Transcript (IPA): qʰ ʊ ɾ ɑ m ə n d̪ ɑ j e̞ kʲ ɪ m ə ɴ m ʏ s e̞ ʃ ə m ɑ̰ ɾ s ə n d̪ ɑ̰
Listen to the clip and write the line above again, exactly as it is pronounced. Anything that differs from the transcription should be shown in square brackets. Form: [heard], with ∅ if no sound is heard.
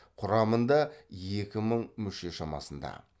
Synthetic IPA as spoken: qʰ ʊ ɾ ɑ m ə n d̪ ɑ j e̞ kʲ ɪ m ə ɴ m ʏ [ʃ] e̞ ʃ [ɑ] m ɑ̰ [∅] s ə n d̪ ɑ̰